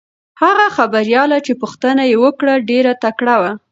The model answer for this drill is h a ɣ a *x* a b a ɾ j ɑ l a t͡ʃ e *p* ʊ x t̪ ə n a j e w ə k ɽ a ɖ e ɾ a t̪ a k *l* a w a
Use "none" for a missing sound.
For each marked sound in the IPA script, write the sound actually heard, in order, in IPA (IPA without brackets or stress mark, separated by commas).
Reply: x, p, ɽ